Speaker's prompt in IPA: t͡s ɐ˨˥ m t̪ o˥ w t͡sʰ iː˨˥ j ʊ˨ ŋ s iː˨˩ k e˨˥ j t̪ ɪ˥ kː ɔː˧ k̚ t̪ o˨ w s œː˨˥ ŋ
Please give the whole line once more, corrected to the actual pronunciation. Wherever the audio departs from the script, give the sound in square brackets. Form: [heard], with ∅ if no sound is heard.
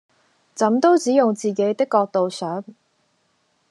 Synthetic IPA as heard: t͡s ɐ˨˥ m t̪ o˥ w [t͡s] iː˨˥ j ʊ˨ ŋ [t͡s] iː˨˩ k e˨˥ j t̪ ɪ˥ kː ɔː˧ k̚ t̪ o˨ w s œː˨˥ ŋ